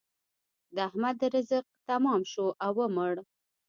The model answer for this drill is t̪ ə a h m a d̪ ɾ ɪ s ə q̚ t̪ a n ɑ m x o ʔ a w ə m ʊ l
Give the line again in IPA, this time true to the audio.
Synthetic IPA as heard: d̪ ə a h m a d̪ ɾ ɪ z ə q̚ t̪ a m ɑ m ʃ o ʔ a w ə m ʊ ɽ